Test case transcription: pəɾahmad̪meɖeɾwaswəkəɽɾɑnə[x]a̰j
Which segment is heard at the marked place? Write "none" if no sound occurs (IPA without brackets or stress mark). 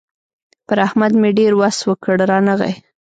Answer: ɣ